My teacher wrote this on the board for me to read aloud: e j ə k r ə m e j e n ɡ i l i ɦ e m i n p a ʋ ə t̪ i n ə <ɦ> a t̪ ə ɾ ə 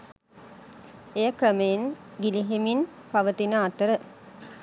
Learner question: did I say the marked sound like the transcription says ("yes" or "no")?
no